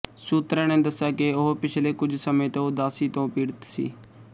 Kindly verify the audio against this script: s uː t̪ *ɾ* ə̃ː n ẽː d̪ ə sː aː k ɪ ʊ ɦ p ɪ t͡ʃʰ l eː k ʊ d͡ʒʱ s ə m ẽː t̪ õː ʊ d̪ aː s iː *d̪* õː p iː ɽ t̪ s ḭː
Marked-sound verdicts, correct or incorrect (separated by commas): correct, incorrect